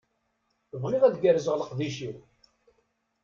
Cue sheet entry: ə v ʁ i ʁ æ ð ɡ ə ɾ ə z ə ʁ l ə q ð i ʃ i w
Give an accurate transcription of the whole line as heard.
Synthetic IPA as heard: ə v ʁ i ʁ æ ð ɡ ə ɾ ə z ə ʁ l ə q ð i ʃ i w